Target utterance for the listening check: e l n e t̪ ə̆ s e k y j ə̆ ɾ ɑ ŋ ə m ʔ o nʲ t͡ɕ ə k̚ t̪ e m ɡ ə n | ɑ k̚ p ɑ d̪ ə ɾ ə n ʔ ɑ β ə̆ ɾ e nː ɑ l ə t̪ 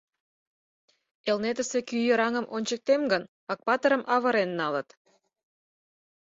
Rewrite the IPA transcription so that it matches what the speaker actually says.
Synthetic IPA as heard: e l n e t̪ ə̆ s e k y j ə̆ ɾ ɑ ŋ ə m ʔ o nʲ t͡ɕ ə k̚ t̪ e m ɡ ə n | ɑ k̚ p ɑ t̪ ə ɾ ə m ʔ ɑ β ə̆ ɾ e nː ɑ l ə t̪